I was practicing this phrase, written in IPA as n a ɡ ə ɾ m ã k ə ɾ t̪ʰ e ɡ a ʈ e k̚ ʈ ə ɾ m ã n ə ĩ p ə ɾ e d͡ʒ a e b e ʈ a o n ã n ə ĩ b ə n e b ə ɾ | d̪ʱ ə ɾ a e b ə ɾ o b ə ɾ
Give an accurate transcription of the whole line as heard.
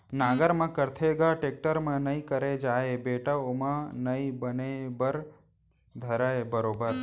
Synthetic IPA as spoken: n a ɡ ə ɾ m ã k ə ɾ t̪ʰ e ɡ a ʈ e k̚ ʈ ə ɾ m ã n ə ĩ k ə ɾ e d͡ʒ a e b e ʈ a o m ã n ə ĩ b ə n e b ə ɾ | d̪ʱ ə ɾ a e b ə ɾ o b ə ɾ